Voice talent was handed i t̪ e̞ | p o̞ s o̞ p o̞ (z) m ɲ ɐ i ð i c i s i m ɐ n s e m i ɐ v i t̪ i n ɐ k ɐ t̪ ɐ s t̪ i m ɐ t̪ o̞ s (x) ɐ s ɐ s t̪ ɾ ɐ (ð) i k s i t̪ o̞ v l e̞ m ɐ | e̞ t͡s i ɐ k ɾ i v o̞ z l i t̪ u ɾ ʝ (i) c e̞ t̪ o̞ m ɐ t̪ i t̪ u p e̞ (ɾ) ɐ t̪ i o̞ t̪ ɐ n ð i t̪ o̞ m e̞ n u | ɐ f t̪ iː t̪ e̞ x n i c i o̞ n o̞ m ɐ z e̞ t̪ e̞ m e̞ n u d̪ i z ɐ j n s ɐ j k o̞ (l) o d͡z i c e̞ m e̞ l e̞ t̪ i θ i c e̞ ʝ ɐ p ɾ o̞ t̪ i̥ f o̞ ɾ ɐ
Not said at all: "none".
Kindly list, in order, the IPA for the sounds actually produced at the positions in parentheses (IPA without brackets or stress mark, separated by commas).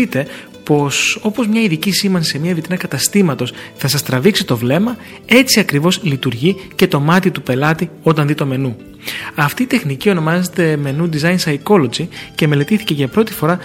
z, θ, v, i, l, l